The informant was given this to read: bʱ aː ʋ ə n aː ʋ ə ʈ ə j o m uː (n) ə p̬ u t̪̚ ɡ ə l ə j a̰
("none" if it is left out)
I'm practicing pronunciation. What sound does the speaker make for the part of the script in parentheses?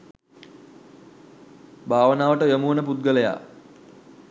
n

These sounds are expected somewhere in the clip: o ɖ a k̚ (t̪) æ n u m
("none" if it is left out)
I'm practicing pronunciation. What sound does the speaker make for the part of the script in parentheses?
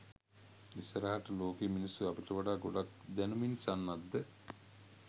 d̪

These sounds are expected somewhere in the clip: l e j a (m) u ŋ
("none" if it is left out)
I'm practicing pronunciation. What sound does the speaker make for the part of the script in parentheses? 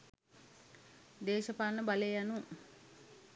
n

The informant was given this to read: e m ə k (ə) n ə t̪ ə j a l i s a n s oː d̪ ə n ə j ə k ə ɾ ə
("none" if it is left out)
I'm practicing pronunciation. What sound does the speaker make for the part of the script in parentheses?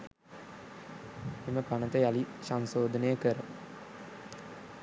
a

